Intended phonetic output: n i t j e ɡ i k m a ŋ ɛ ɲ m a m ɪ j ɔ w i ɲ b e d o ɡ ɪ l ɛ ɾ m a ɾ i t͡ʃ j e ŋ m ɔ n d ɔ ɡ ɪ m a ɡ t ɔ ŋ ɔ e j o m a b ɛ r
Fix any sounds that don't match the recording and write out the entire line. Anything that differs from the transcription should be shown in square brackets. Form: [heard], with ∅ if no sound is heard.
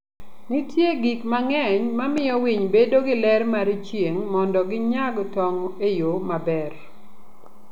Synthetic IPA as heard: n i t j e ɡ i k m a ŋ ɛ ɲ m a m ɪ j ɔ w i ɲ b e d o ɡ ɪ l ɛ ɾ m a ɾ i t͡ʃ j e ŋ m ɔ n d ɔ ɡ ɪ [ɲ] a ɡ t ɔ ŋ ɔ e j o m a b ɛ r